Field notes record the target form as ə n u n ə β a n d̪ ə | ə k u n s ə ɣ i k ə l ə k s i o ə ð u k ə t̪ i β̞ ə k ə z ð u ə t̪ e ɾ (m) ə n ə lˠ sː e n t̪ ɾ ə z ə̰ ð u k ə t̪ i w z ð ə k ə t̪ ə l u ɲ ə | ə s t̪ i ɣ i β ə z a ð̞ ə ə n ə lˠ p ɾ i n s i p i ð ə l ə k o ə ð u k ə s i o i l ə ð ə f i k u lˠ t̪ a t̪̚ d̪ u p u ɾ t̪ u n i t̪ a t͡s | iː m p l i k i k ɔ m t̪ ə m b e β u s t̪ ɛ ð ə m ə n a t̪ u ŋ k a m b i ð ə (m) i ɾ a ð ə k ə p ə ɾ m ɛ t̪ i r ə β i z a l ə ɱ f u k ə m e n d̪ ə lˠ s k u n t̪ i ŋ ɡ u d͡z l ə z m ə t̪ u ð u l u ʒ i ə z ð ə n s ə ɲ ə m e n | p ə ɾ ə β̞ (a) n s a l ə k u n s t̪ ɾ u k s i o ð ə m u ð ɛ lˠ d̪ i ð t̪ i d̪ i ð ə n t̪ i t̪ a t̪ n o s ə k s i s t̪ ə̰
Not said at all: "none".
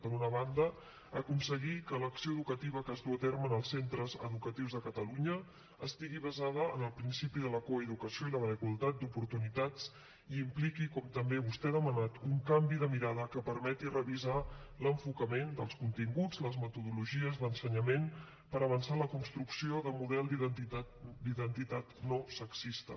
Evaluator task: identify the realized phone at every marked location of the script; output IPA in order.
m, m, ə

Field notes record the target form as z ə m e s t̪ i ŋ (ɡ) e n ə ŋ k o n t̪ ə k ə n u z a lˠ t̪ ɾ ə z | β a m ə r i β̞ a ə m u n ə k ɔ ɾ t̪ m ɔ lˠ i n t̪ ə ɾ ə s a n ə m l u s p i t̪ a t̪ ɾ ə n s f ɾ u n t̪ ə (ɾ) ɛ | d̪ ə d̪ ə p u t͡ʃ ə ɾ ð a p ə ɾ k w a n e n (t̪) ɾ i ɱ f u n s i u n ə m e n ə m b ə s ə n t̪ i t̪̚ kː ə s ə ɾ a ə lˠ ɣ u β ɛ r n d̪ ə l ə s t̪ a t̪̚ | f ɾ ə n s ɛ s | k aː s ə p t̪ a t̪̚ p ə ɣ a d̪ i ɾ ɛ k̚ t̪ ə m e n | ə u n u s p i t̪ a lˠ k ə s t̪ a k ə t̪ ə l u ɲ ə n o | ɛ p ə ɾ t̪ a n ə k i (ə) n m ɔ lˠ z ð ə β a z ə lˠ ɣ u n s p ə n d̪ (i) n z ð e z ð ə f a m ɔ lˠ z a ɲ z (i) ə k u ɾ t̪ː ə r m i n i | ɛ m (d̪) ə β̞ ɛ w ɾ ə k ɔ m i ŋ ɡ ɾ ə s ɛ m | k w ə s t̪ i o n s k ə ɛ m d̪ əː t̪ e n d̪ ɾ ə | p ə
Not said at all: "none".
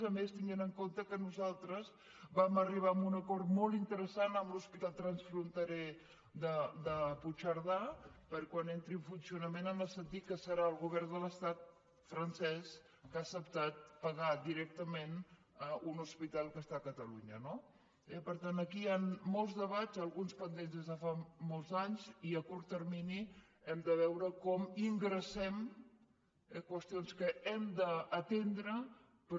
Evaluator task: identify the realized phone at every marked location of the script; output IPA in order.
ɡ, ɾ, t̪, a, e, i, d̪

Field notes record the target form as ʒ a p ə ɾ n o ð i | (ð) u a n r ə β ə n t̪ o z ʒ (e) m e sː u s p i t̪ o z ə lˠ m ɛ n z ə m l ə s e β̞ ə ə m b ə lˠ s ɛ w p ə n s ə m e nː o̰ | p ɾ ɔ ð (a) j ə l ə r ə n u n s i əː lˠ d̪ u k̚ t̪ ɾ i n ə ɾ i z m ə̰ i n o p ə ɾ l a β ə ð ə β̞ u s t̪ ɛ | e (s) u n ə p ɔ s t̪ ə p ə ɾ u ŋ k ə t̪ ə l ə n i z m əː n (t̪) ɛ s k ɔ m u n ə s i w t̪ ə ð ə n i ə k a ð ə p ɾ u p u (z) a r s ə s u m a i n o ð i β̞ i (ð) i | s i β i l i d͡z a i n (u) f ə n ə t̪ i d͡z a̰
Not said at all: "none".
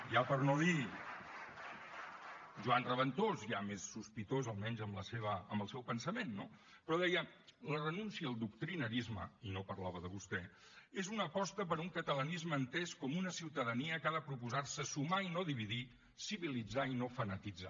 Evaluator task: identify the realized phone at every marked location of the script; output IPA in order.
ʒ, a, ɛ, z, t̪, z, ð, o

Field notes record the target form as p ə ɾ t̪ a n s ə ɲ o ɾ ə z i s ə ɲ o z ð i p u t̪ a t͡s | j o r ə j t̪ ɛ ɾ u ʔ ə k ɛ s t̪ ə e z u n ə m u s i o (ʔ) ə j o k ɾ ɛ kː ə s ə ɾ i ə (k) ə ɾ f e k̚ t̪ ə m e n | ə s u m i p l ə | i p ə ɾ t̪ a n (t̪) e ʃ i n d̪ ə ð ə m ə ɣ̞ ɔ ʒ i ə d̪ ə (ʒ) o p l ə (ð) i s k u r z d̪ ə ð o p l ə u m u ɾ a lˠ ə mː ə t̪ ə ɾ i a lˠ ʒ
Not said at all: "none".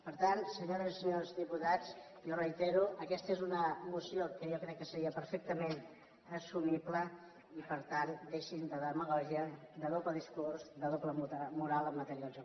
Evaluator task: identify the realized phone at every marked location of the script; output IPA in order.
k, p, d̪, ð, ð

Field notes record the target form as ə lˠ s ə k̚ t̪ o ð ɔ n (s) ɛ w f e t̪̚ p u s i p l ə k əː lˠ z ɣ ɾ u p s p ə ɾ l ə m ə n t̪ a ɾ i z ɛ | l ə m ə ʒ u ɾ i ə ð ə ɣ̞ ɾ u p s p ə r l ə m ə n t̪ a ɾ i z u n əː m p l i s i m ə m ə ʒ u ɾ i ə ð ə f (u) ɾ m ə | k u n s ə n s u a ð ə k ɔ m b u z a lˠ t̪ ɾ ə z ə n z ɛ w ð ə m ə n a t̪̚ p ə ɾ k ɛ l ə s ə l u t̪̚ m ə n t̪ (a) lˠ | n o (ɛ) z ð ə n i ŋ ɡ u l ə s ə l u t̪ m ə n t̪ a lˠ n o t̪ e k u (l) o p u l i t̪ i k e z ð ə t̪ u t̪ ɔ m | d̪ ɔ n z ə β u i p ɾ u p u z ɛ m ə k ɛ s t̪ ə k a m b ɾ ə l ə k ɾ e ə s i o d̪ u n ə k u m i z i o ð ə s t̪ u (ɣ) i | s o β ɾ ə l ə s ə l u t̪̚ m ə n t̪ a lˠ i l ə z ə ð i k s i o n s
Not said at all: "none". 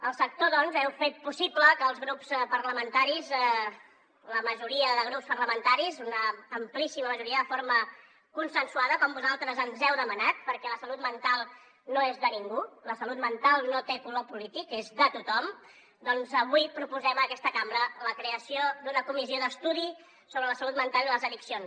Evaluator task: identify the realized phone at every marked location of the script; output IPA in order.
z, o, a, e, l, ð

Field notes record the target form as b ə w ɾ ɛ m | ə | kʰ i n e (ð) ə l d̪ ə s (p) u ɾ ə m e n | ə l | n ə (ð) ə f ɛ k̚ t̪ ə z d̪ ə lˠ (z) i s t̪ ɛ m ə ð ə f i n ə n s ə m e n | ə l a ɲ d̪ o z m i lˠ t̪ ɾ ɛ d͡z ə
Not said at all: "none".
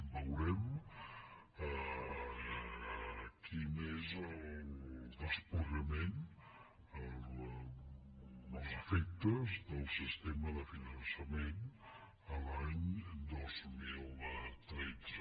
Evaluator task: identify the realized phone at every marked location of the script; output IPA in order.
z, p, z, s

